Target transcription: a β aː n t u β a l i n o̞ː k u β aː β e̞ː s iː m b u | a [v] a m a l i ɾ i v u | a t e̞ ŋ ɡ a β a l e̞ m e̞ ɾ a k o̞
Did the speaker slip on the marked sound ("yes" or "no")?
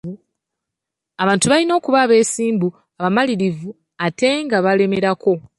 yes